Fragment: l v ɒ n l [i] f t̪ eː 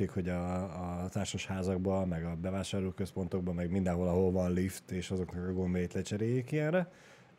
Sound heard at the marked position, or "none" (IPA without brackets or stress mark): i